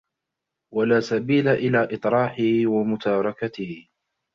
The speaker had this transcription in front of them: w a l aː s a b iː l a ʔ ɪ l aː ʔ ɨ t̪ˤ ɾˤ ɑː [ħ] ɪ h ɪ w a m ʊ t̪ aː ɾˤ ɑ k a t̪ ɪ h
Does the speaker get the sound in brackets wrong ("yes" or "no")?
no